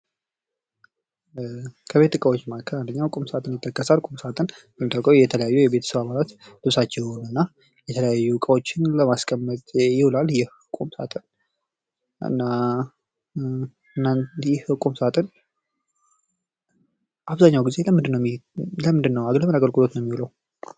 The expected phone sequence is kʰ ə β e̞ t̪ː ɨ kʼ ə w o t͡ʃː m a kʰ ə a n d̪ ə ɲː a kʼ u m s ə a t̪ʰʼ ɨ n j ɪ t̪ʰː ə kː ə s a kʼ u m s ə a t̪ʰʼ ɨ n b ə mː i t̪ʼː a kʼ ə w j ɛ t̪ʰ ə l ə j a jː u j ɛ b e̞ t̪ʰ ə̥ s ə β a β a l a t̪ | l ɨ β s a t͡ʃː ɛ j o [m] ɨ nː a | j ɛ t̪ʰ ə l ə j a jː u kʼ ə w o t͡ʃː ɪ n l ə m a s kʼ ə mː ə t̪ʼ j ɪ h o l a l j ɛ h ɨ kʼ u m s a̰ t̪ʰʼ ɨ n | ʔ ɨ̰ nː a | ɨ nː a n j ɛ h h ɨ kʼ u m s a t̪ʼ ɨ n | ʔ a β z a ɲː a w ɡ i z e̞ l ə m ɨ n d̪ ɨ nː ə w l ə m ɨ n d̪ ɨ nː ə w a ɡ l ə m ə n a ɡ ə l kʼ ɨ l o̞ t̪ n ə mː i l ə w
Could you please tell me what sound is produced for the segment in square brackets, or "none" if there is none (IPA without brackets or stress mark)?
n